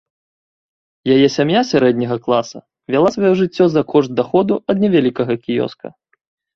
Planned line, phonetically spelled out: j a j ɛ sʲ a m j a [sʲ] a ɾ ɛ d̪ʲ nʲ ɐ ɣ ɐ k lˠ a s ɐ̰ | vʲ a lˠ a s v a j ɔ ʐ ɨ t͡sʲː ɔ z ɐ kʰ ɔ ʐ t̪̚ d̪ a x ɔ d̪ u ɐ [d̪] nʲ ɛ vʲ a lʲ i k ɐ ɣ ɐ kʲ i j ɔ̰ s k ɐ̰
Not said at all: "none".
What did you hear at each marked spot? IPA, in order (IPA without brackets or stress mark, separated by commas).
sʲ, d̪